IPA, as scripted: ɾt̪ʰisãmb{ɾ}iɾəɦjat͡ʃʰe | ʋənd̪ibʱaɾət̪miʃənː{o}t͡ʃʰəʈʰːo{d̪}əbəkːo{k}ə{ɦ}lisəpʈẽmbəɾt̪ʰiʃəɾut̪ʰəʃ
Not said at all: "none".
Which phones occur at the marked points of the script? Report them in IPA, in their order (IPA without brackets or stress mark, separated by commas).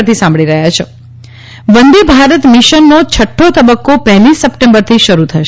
ɭ, o, t̪, p, ɦ